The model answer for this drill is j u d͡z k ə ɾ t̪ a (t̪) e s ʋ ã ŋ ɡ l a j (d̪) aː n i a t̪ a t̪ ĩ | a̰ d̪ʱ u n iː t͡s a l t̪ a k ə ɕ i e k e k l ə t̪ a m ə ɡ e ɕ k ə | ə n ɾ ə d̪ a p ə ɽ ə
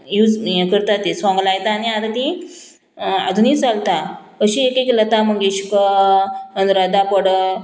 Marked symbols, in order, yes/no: yes, no

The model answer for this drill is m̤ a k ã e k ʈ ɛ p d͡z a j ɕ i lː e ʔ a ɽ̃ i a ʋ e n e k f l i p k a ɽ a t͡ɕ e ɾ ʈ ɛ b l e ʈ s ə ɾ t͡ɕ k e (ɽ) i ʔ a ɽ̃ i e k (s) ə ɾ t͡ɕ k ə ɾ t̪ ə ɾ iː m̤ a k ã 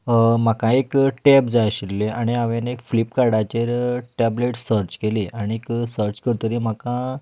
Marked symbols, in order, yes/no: no, yes

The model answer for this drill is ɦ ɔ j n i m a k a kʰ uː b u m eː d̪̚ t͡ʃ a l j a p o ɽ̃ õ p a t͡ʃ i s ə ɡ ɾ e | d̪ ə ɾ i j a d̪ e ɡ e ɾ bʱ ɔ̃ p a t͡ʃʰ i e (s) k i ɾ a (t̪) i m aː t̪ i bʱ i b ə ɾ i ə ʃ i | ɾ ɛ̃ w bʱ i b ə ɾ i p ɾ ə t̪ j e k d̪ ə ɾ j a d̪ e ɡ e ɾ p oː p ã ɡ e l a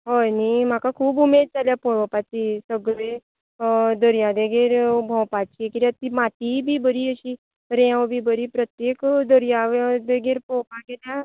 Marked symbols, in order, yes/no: no, yes

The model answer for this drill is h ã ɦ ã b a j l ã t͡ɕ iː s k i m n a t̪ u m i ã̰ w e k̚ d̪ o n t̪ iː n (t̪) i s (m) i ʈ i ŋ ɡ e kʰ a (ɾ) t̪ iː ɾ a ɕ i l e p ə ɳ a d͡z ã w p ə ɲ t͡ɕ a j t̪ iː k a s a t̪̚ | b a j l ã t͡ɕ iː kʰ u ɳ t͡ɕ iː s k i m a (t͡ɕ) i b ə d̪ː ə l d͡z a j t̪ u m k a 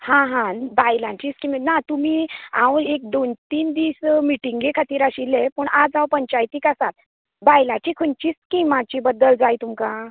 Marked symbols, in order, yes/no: no, yes, no, yes

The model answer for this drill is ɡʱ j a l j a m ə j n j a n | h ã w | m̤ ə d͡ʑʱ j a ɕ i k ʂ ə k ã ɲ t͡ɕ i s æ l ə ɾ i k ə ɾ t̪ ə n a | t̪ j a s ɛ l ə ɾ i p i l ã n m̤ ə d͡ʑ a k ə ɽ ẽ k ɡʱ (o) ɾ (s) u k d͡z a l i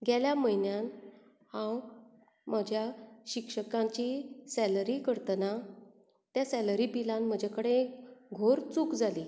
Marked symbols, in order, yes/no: yes, no

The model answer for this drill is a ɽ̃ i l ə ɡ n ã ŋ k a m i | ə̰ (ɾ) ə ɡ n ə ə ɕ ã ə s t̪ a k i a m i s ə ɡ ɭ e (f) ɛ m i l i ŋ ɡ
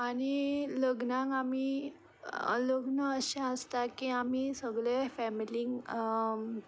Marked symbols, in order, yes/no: no, yes

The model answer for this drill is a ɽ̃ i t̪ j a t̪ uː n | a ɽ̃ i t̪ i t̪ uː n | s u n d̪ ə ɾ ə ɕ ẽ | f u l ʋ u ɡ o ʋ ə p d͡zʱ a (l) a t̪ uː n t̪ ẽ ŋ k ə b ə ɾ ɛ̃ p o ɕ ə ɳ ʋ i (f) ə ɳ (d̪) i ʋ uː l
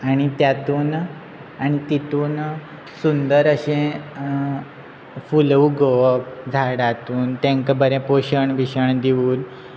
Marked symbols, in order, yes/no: no, no, yes

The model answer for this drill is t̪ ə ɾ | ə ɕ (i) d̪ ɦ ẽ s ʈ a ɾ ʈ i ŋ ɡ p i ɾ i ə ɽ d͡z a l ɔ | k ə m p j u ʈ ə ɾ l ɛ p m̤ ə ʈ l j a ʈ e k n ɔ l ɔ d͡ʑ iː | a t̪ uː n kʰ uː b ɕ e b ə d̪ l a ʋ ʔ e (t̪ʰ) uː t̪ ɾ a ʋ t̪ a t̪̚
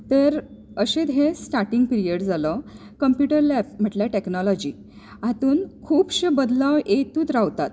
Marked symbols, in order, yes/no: no, no

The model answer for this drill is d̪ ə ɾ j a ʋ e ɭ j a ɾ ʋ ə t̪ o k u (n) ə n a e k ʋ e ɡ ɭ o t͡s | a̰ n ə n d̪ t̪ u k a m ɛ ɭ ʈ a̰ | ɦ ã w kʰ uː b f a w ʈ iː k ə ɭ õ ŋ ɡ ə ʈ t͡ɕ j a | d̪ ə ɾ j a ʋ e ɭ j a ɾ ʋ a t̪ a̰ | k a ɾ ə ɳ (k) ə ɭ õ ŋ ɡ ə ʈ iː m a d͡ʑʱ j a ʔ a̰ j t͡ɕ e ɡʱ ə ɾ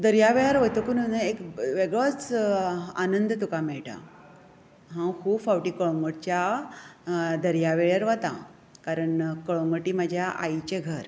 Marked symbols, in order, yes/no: yes, yes

